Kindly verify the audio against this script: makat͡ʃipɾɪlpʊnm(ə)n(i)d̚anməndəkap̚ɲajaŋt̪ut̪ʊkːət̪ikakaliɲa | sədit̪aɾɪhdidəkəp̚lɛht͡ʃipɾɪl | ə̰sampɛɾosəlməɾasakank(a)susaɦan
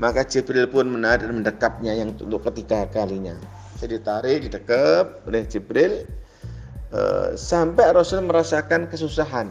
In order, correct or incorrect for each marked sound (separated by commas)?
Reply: correct, incorrect, incorrect